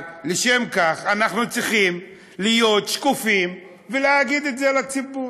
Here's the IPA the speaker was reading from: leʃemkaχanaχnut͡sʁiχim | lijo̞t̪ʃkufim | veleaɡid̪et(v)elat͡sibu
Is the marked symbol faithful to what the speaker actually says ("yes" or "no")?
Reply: no